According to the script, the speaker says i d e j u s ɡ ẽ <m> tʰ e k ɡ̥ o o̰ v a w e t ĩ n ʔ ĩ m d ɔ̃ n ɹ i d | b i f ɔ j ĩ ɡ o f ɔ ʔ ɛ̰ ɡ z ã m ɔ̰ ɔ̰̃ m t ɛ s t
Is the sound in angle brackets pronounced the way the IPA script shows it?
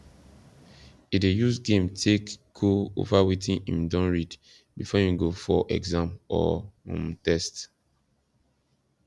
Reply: yes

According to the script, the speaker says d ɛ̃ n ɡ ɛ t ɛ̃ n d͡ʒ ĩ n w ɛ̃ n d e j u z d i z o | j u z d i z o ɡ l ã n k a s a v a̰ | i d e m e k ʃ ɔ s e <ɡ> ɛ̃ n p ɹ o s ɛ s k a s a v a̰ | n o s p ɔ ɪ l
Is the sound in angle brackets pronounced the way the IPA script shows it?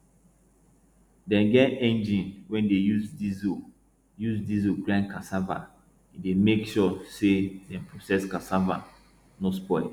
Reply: no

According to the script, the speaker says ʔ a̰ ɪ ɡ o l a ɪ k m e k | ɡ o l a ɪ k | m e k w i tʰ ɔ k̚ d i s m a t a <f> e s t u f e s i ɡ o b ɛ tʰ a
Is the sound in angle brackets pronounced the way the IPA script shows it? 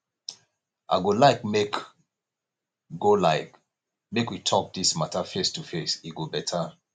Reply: yes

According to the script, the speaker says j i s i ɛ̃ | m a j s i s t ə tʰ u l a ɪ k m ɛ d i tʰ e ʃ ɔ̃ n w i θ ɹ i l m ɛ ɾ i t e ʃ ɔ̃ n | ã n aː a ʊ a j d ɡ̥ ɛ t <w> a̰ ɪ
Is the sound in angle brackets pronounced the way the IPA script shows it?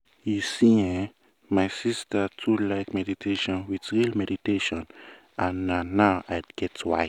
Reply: yes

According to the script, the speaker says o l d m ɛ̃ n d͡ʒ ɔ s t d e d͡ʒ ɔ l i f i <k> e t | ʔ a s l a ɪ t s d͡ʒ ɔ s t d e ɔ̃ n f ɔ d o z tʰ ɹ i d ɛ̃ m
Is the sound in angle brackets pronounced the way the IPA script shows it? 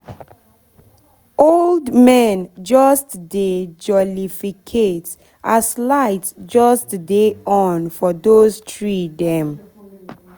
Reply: no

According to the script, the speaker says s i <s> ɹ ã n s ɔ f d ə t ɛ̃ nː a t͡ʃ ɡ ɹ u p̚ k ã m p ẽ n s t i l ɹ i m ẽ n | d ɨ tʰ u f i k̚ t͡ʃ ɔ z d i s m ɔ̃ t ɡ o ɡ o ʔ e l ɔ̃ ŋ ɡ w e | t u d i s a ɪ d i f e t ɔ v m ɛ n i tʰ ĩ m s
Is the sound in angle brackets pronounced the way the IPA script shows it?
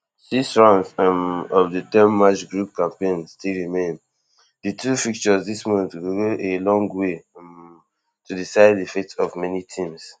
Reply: yes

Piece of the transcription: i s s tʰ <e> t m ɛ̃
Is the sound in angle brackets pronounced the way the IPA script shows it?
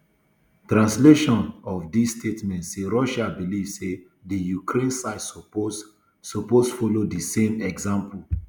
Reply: yes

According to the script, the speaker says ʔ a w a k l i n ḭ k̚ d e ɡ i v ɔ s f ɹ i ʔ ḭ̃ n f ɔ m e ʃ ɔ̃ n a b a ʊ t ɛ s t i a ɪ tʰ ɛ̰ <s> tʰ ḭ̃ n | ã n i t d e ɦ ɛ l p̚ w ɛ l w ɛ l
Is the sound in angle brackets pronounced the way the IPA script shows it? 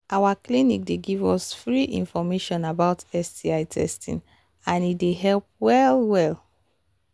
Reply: yes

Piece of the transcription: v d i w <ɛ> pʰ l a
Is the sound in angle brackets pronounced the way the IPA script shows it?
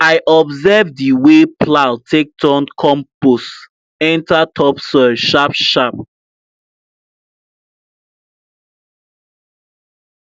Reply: no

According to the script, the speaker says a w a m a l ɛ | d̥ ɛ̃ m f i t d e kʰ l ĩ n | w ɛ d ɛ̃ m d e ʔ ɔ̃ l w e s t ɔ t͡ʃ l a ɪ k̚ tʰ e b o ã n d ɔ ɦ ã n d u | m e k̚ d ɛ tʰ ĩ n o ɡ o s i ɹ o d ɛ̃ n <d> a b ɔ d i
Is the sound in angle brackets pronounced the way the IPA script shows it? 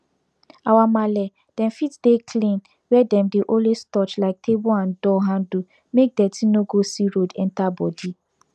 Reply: no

